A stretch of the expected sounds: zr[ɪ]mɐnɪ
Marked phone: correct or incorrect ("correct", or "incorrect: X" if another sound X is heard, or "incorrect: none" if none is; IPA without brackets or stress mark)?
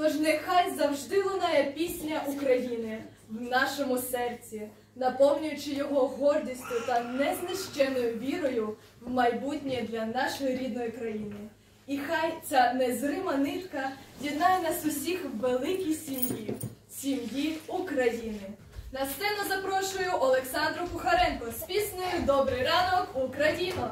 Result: correct